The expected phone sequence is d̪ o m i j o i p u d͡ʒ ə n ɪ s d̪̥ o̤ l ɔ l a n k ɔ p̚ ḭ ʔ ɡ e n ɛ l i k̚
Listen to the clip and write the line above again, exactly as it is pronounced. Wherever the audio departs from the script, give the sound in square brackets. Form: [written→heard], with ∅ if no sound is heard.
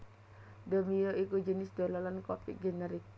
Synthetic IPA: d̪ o m i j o i [p→k] u d͡ʒ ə n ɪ s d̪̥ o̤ l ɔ l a n k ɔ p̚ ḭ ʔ ɡ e n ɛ [l→ɾ] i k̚